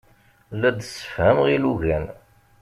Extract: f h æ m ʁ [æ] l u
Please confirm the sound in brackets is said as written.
no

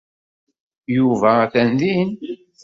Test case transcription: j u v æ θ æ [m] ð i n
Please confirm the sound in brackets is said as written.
no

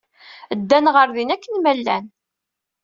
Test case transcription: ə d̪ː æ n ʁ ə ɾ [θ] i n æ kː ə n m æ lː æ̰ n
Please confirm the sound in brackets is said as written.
no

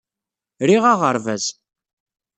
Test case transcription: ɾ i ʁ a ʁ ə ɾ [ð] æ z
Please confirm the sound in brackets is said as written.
no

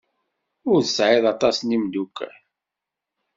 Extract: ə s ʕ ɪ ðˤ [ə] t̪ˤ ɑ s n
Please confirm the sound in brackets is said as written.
no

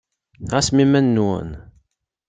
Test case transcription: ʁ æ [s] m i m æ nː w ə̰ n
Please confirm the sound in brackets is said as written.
yes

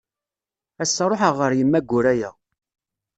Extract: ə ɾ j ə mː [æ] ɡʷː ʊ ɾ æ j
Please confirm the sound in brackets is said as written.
yes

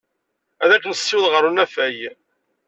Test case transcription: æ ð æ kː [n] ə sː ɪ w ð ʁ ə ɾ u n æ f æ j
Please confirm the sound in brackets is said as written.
yes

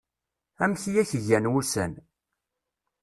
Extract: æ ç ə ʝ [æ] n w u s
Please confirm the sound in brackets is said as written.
yes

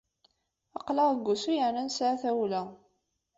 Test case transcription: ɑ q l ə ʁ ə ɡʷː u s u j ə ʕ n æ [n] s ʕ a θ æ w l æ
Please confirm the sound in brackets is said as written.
yes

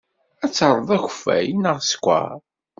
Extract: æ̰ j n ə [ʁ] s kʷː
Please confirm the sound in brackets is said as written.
yes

